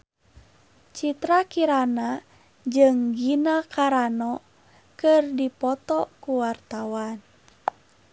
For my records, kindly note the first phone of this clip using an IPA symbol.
t͡ʃ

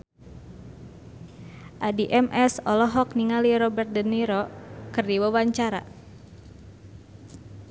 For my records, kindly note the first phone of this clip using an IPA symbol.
ʔ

